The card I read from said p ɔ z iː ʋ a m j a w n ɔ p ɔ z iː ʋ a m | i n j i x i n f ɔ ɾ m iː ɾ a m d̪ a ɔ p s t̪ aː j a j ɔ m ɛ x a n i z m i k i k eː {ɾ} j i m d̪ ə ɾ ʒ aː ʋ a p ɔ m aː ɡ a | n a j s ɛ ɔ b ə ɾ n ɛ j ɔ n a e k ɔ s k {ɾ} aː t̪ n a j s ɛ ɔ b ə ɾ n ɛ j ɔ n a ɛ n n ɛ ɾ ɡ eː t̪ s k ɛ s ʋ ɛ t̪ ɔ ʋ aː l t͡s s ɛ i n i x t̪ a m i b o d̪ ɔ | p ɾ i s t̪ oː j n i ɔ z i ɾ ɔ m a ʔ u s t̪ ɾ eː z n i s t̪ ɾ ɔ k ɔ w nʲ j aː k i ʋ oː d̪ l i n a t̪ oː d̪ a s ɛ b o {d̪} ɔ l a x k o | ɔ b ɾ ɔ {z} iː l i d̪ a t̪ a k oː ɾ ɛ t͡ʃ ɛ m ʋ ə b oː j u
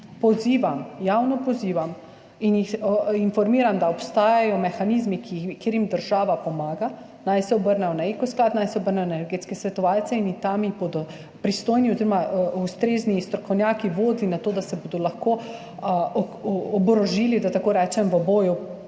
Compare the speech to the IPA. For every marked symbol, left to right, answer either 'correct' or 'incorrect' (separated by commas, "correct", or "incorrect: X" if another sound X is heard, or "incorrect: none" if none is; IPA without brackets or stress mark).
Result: correct, incorrect: l, correct, incorrect: ʒ